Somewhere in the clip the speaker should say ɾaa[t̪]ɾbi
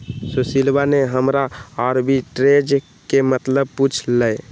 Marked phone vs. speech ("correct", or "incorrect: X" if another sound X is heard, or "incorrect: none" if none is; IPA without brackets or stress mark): incorrect: none